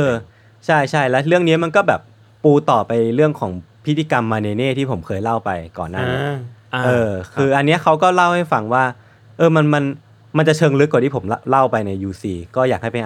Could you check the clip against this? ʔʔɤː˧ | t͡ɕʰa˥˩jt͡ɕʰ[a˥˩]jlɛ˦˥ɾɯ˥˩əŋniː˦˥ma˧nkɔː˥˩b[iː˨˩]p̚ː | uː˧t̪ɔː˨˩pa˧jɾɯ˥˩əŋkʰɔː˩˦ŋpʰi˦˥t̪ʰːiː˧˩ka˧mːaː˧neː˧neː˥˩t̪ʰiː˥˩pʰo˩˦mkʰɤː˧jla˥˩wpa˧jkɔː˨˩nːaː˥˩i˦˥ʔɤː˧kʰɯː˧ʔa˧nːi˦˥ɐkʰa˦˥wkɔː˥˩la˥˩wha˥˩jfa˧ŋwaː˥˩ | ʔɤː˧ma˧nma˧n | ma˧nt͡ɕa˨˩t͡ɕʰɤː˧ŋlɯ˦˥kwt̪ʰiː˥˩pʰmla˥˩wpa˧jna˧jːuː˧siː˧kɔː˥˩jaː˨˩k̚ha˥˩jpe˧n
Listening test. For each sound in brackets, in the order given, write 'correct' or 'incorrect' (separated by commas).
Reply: correct, incorrect